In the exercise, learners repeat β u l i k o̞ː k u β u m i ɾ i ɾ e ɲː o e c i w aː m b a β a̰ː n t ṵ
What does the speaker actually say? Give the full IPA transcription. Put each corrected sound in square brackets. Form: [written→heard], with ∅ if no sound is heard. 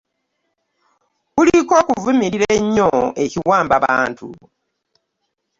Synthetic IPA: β u l i k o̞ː k u [β→v] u m i ɾ i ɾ e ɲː o e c i w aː m b a β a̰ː n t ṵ